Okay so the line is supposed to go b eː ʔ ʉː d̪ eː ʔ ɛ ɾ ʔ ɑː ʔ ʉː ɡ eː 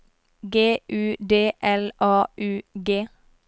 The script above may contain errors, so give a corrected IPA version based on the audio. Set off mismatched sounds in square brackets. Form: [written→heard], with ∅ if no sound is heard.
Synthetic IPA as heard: [b→ɡ] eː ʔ ʉː d̪ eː ʔ ɛ [ɾ→l] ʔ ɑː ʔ ʉː ɡ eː